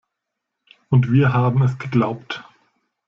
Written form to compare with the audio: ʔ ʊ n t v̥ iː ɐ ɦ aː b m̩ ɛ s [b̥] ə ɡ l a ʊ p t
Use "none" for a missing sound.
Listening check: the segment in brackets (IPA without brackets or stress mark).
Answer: ɡ̥